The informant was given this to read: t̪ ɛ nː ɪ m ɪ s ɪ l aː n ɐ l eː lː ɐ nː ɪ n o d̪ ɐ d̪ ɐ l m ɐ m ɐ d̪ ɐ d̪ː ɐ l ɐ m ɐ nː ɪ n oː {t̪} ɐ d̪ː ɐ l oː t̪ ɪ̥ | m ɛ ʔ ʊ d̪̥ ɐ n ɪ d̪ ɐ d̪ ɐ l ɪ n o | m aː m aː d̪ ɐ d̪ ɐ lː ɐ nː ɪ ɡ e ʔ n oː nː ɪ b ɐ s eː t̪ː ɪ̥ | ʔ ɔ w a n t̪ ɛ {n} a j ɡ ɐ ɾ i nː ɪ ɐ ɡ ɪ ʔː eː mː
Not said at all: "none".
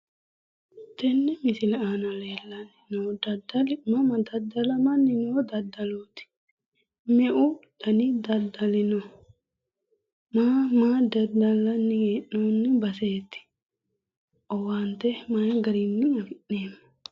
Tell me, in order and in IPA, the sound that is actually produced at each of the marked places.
d̪, m

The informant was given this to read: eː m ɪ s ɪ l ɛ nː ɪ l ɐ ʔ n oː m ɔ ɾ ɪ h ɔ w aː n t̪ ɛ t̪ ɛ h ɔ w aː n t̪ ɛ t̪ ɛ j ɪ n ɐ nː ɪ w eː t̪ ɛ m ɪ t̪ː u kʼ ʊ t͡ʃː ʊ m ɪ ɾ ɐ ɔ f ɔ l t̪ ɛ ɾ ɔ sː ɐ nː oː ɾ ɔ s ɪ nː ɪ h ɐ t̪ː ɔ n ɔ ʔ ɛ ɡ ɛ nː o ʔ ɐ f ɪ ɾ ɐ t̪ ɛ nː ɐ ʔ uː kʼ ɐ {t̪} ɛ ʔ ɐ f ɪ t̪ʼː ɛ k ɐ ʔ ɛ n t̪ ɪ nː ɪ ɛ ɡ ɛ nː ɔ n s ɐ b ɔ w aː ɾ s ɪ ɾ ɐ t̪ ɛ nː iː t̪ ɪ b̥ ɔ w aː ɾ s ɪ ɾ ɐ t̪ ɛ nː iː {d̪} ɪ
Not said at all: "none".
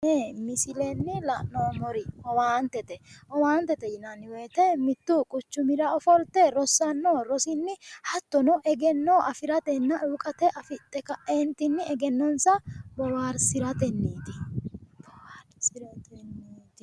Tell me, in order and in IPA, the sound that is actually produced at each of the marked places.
t̪, t̪

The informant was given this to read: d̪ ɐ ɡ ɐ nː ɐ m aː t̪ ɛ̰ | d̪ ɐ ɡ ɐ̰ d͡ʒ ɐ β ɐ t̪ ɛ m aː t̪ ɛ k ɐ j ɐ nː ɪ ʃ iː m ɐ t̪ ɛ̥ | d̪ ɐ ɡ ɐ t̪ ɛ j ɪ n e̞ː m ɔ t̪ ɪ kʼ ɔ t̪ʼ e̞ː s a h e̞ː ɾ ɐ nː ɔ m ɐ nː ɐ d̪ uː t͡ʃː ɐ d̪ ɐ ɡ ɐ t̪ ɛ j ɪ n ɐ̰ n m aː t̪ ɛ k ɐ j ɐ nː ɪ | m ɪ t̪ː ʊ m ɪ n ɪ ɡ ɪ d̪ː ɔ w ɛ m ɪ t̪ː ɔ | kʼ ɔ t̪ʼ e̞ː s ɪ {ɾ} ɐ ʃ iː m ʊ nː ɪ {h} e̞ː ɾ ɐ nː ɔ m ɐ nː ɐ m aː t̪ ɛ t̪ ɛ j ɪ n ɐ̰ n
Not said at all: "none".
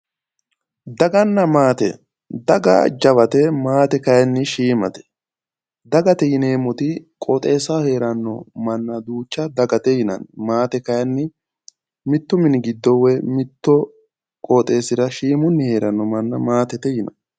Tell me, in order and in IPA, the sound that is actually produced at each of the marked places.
ɾ, h

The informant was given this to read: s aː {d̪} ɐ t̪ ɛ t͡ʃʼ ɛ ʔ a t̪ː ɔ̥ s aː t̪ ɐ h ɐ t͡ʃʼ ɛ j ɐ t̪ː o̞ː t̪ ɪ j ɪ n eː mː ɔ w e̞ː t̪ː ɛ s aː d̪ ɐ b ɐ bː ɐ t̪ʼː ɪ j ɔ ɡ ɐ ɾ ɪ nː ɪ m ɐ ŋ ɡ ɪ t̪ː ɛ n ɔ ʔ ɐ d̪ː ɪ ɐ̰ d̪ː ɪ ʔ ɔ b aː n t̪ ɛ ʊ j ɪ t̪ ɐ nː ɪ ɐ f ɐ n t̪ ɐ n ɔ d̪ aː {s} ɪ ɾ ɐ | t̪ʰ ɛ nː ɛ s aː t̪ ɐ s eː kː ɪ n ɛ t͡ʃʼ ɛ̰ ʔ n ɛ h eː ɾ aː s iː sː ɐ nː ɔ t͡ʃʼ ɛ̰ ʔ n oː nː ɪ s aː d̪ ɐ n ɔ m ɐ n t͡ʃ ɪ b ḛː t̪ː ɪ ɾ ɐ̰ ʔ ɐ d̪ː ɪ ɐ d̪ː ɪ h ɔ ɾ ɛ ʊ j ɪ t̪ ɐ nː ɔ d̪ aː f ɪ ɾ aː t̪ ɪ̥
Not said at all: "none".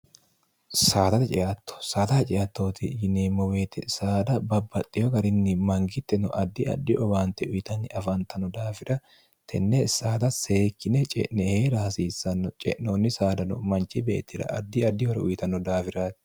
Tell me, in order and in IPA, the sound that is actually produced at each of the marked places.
t̪, f

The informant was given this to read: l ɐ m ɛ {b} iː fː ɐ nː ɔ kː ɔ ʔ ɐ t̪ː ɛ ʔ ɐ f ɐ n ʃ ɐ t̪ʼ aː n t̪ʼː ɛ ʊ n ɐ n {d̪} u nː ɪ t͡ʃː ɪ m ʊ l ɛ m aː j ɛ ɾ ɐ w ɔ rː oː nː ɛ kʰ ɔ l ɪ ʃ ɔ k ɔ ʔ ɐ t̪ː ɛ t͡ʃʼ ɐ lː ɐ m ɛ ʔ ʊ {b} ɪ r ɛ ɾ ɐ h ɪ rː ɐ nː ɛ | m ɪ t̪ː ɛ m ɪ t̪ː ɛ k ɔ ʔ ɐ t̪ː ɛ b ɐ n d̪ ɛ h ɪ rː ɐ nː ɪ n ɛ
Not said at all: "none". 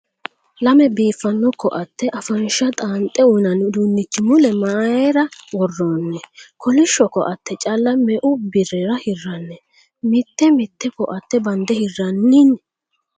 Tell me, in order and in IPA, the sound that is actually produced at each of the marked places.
b, d̪, b

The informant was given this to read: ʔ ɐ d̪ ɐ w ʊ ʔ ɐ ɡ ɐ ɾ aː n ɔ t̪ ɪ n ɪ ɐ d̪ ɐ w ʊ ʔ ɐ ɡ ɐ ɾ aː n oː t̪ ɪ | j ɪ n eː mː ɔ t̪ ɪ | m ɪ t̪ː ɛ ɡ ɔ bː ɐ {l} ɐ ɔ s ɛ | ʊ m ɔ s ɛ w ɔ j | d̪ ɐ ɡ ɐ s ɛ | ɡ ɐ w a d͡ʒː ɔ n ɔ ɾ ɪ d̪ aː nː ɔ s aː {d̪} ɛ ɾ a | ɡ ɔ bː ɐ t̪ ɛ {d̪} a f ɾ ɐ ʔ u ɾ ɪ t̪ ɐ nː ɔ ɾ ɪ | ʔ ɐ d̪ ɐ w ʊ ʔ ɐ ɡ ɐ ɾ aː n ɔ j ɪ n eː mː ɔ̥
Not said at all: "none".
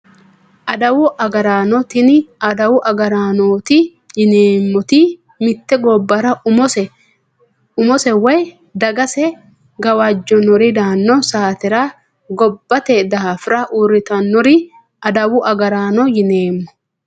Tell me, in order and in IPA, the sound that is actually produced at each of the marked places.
ɾ, t̪, d̪

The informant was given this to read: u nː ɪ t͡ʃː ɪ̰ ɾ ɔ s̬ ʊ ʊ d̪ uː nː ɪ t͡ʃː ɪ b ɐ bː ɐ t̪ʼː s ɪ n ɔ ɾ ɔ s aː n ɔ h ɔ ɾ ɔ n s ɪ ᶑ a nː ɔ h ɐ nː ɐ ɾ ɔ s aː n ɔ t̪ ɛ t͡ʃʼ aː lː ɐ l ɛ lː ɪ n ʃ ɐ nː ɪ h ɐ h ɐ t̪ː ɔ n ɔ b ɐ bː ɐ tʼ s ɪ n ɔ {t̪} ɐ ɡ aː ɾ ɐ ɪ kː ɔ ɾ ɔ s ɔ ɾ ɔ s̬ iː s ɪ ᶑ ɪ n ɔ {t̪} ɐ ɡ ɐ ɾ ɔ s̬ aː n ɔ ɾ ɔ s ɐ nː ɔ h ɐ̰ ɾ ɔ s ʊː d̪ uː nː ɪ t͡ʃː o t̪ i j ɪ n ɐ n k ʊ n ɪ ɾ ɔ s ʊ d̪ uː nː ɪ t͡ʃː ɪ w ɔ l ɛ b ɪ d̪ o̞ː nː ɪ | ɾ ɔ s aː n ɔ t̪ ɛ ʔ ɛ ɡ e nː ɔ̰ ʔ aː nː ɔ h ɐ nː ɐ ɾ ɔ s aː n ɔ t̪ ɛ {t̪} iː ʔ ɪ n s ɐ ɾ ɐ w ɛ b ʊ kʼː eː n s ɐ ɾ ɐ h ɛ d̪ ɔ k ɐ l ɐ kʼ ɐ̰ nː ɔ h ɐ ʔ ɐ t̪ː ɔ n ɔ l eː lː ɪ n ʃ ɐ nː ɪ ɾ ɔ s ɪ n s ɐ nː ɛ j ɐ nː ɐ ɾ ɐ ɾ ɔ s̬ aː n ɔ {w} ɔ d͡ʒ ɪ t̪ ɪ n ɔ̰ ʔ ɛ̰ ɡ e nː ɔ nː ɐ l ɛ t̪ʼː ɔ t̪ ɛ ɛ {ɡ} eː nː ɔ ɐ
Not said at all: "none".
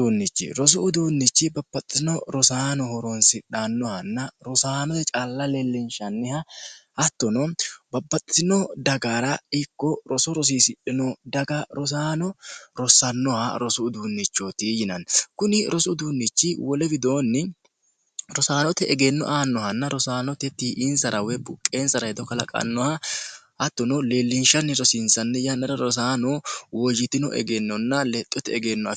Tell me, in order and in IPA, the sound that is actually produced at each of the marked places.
d̪, d̪, t̪, w, ɡ

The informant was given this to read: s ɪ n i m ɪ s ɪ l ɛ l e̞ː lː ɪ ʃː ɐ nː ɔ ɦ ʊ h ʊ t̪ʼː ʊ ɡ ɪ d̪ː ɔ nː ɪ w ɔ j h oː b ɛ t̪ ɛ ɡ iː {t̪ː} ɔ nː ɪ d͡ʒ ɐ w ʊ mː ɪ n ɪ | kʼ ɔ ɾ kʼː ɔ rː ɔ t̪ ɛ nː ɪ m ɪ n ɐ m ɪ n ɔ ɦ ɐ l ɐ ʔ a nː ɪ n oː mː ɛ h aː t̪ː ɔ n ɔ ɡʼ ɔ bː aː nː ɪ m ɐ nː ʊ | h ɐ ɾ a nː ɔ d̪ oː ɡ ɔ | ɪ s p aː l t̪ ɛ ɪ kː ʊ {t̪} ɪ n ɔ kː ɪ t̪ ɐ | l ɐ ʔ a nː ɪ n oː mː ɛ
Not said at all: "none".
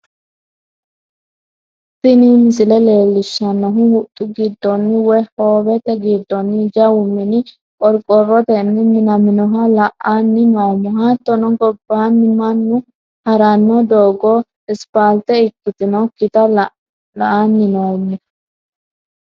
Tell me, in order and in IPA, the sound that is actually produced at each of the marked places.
d̪ː, t̪

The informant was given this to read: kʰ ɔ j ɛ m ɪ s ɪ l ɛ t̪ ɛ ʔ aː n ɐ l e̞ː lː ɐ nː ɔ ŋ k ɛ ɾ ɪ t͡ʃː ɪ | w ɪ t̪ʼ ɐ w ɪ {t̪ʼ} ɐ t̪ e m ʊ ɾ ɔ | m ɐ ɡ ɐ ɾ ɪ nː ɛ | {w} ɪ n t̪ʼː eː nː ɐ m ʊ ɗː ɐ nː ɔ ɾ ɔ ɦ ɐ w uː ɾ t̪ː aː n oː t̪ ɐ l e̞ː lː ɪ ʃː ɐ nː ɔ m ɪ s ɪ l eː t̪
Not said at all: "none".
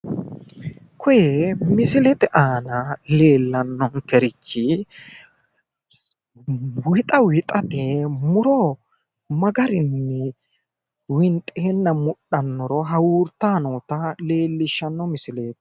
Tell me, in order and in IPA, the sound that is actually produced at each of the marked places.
t̪ʼ, w

